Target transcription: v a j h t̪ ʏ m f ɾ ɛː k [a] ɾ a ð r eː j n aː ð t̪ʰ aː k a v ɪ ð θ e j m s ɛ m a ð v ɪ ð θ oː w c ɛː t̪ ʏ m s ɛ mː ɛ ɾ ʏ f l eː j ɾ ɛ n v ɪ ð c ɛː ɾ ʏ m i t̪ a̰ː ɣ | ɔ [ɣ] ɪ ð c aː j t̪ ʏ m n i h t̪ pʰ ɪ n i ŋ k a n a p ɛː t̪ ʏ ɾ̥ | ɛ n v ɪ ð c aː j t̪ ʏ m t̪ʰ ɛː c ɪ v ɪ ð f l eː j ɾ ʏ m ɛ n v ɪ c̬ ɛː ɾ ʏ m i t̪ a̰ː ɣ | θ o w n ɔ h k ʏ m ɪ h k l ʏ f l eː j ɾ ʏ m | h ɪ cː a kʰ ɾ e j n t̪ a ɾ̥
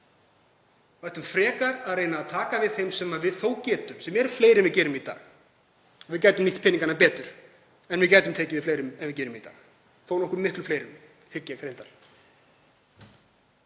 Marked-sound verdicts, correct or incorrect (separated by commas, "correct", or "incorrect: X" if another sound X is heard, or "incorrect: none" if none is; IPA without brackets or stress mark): correct, incorrect: v